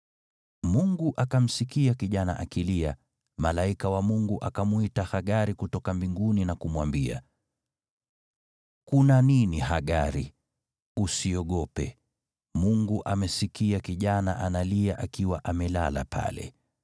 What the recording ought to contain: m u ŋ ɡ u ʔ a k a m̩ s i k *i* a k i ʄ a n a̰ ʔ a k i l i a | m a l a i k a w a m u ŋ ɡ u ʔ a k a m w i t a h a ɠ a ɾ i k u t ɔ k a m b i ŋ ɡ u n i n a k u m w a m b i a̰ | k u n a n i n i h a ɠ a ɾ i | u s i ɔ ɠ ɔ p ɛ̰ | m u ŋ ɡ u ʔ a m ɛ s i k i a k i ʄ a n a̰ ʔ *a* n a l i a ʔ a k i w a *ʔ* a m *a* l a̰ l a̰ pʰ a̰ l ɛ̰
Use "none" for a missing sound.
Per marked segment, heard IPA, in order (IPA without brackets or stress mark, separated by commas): i, a, ʔ, ɛ